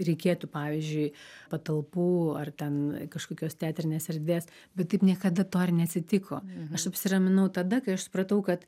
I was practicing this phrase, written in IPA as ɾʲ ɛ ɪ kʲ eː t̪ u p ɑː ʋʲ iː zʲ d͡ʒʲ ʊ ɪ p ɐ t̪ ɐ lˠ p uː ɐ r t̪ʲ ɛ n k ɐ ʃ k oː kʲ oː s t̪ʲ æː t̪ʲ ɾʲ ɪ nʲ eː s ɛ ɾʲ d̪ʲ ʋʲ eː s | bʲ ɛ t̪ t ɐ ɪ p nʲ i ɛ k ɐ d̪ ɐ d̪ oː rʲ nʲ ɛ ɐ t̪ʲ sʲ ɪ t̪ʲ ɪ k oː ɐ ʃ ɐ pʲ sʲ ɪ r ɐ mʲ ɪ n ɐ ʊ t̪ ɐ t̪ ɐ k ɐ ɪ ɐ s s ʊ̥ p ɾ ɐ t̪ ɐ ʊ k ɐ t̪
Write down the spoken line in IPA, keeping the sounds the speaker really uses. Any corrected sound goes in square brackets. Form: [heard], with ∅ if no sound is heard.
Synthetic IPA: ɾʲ ɛ ɪ kʲ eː t̪ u p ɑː ʋʲ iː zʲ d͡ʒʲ ʊ ɪ p ɐ t̪ ɐ lˠ p uː ɐ r t̪ʲ ɛ n k ɐ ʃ k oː kʲ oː s t̪ʲ æː t̪ʲ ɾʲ ɪ nʲ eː s ɛ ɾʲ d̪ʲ ʋʲ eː s | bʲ ɛ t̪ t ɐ ɪ p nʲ i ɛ k ɐ d̪ ɐ [t̪] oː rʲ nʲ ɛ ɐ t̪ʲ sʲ ɪ t̪ʲ ɪ k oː ɐ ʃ ɐ pʲ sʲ ɪ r ɐ mʲ ɪ n ɐ ʊ t̪ ɐ [d̪] ɐ k ɐ ɪ ɐ [ʃ] s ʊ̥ p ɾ ɐ t̪ ɐ ʊ k ɐ t̪

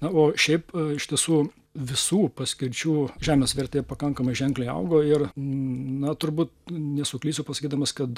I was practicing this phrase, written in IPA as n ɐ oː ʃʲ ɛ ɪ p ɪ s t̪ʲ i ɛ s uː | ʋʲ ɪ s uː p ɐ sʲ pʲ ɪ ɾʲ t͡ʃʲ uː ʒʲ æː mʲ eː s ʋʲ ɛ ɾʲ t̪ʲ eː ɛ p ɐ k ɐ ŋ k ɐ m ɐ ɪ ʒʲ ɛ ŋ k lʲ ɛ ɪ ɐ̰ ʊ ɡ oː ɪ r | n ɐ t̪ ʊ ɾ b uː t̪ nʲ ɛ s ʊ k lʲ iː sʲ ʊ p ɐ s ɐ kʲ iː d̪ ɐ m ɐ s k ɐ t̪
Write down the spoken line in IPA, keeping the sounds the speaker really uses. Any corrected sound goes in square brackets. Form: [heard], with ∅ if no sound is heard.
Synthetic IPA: n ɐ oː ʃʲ ɛ ɪ p ɪ [ʃ] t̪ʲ i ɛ s uː | ʋʲ ɪ s uː p ɐ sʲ [kʲ] ɪ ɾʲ t͡ʃʲ uː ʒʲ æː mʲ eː s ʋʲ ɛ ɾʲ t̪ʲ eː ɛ p ɐ k ɐ ŋ k ɐ m ɐ ɪ ʒʲ ɛ ŋ k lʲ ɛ ɪ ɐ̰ ʊ ɡ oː ɪ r | n ɐ t̪ ʊ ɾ b uː t̪ nʲ ɛ s ʊ k lʲ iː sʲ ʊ p ɐ s ɐ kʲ iː d̪ ɐ m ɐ s k ɐ t̪

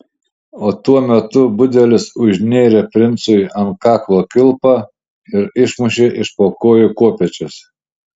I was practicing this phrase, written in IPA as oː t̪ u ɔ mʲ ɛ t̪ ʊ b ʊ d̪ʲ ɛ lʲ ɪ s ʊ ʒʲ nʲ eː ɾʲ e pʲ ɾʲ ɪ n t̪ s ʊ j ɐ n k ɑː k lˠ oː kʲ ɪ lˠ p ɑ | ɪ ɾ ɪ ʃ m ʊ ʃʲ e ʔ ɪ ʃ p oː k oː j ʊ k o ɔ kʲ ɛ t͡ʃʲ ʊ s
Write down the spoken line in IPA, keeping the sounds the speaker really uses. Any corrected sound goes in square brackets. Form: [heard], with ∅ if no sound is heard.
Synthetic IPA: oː t̪ u ɔ mʲ ɛ t̪ ʊ b ʊ d̪ʲ ɛ lʲ ɪ s ʊ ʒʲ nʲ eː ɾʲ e pʲ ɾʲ ɪ n t̪ s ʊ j ɐ n k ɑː k lˠ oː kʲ ɪ lˠ p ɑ | ɪ ɾ ɪ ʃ m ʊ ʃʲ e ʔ ɪ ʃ p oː k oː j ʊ k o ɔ [pʲ] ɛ t͡ʃʲ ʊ s

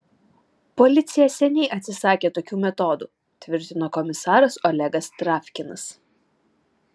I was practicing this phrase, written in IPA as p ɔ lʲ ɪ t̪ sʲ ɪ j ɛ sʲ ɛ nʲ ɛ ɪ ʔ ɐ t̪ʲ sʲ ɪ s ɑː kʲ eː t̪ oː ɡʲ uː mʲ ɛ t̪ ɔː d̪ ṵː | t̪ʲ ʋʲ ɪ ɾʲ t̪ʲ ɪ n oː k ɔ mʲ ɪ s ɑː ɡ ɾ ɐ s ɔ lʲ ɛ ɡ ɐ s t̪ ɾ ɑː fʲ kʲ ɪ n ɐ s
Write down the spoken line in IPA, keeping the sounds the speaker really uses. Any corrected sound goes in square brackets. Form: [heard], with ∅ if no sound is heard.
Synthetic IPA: p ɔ lʲ ɪ t̪ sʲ ɪ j ɛ sʲ ɛ nʲ ɛ ɪ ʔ ɐ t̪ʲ sʲ ɪ s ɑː kʲ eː t̪ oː [kʲ] uː mʲ ɛ t̪ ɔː d̪ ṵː | t̪ʲ ʋʲ ɪ ɾʲ t̪ʲ ɪ n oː k ɔ mʲ ɪ s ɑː [∅] ɾ ɐ s ɔ lʲ ɛ ɡ ɐ s t̪ ɾ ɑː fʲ kʲ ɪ n ɐ s

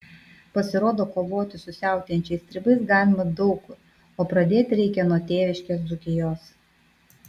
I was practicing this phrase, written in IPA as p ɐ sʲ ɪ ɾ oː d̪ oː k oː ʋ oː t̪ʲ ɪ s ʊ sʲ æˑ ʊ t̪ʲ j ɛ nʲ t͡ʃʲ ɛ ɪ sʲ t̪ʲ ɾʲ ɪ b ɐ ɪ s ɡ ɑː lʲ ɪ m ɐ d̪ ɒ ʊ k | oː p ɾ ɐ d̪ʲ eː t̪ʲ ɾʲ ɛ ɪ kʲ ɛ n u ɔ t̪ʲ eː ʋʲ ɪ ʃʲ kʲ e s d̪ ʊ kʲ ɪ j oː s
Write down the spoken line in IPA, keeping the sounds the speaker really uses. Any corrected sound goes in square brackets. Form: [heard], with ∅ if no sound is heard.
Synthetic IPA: p ɐ sʲ ɪ ɾ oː d̪ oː k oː ʋ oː t̪ʲ ɪ s ʊ sʲ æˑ ʊ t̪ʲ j ɛ nʲ t͡ʃʲ ɛ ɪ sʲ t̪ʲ ɾʲ ɪ b ɐ ɪ s ɡ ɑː lʲ ɪ m ɐ d̪ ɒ ʊ k | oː p ɾ ɐ d̪ʲ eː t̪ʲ ɾʲ ɛ ɪ kʲ ɛ n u ɔ t̪ʲ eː ʋʲ ɪ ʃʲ kʲ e s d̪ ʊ kʲ ɪ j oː s

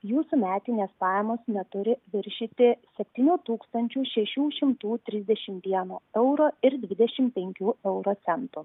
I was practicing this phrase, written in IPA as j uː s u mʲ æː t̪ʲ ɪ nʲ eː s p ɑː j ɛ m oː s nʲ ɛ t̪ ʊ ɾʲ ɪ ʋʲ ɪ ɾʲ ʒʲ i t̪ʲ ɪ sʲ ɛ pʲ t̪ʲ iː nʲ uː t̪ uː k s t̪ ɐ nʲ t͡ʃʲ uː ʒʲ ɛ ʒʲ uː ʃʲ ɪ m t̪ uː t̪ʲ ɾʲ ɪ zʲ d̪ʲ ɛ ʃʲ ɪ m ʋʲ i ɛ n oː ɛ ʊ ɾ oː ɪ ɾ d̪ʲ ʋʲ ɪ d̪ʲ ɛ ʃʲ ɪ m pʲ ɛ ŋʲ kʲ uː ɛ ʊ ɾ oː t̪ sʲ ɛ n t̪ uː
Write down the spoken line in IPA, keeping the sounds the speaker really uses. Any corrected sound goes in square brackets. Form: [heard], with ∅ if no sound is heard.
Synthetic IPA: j uː s u mʲ æː t̪ʲ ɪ nʲ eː s p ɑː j ɛ m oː s nʲ ɛ t̪ ʊ ɾʲ ɪ ʋʲ ɪ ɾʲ [ʃʲ] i t̪ʲ ɪ sʲ ɛ pʲ t̪ʲ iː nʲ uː t̪ uː k s t̪ ɐ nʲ t͡ʃʲ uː [ʃʲ] ɛ [ʃʲ] uː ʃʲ ɪ m t̪ uː t̪ʲ ɾʲ ɪ zʲ d̪ʲ ɛ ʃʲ ɪ m ʋʲ i ɛ n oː ɛ ʊ ɾ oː ɪ ɾ d̪ʲ ʋʲ ɪ d̪ʲ ɛ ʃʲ ɪ m pʲ ɛ ŋʲ kʲ uː ɛ ʊ ɾ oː t̪ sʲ ɛ n t̪ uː

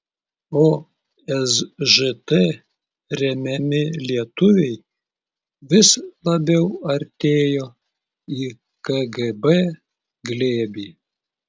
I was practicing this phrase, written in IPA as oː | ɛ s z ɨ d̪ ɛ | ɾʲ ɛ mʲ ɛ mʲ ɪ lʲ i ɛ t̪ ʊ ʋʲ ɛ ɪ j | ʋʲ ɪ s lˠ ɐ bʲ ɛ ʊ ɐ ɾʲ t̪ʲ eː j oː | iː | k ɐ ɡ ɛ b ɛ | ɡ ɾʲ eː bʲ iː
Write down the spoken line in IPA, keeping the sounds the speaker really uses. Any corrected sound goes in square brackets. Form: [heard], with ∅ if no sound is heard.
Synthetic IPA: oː | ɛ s [ʒ] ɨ [t̪] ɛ | ɾʲ ɛ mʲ ɛ mʲ ɪ lʲ i ɛ t̪ ʊ ʋʲ ɛ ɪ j | ʋʲ ɪ s lˠ ɐ bʲ ɛ ʊ ɐ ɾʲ t̪ʲ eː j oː | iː | k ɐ ɡ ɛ b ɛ | ɡ [lʲ] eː bʲ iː

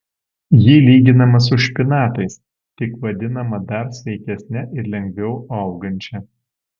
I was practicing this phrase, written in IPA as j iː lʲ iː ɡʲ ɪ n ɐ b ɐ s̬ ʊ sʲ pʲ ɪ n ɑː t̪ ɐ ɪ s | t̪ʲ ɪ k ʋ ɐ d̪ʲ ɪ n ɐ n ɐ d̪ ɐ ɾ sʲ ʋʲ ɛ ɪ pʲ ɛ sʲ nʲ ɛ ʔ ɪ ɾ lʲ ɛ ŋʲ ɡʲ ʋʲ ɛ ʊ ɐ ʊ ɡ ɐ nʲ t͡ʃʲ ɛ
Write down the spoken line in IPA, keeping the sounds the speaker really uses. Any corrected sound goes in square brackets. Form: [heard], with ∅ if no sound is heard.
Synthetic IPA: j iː lʲ iː ɡʲ ɪ n ɐ [m] ɐ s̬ ʊ [ʃʲ] pʲ ɪ n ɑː t̪ ɐ ɪ s | t̪ʲ ɪ k ʋ ɐ d̪ʲ ɪ n ɐ [m] ɐ d̪ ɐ ɾ sʲ ʋʲ ɛ ɪ [kʲ] ɛ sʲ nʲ ɛ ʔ ɪ ɾ lʲ ɛ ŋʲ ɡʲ ʋʲ ɛ ʊ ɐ ʊ ɡ ɐ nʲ t͡ʃʲ ɛ

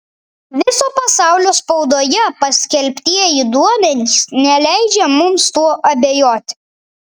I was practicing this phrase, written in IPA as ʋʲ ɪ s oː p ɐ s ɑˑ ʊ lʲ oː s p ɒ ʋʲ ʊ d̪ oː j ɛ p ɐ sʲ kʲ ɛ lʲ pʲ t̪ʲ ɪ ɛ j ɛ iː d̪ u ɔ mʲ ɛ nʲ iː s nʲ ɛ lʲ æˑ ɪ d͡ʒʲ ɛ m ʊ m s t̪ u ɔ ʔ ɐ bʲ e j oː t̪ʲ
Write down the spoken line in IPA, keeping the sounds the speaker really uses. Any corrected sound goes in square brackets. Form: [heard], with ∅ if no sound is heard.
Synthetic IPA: ʋʲ ɪ s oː p ɐ s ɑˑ ʊ lʲ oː s p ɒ [∅] ʊ d̪ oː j ɛ p ɐ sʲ kʲ ɛ lʲ pʲ t̪ʲ [i] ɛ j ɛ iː d̪ u ɔ mʲ ɛ nʲ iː s nʲ ɛ lʲ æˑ ɪ d͡ʒʲ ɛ m ʊ m s t̪ u ɔ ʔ ɐ bʲ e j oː t̪ʲ

